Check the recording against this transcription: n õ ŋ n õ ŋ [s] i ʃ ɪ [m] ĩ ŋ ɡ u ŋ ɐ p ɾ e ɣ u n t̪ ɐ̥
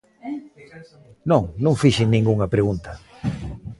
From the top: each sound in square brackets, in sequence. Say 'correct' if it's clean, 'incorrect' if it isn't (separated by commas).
incorrect, incorrect